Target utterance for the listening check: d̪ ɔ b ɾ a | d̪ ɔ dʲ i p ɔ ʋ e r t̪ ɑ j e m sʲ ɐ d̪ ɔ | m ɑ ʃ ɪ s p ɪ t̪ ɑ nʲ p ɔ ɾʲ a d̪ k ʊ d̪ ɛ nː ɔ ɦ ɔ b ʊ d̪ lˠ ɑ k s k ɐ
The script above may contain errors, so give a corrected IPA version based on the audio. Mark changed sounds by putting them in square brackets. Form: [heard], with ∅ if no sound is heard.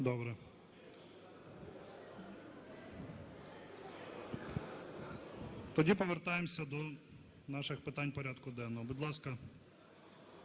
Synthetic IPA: d̪ ɔ b ɾ [ɛ] | [t̪] ɔ dʲ i p ɔ ʋ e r t̪ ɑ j e m sʲ ɐ d̪ ɔ | [n] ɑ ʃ ɪ [x] p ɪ t̪ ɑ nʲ p ɔ ɾʲ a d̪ k ʊ d̪ ɛ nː ɔ ɦ ɔ b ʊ d̪ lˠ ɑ [∅] s k ɐ